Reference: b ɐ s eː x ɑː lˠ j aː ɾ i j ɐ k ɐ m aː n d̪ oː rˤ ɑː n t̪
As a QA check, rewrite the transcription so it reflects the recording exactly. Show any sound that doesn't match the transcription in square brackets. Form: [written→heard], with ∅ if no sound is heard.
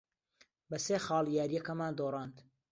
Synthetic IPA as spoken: b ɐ s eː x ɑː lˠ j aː ɾ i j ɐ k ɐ m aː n d̪ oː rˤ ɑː n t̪